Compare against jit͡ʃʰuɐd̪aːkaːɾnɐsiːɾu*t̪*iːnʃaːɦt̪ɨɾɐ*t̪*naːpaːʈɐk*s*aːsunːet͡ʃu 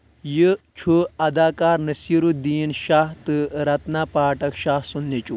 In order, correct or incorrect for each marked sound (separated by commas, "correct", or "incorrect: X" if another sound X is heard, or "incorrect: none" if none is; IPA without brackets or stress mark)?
incorrect: d̪, correct, incorrect: ʃ